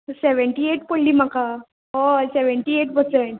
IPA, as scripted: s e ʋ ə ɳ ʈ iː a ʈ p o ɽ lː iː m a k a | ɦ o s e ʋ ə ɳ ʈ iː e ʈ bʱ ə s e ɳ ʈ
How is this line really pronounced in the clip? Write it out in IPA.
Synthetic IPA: s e ʋ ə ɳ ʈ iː e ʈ p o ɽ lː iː m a k a | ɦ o s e ʋ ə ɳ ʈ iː e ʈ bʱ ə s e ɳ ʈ